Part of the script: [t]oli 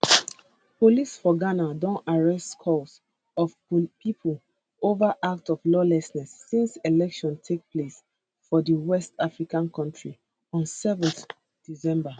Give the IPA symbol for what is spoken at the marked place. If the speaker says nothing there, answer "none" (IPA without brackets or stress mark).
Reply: p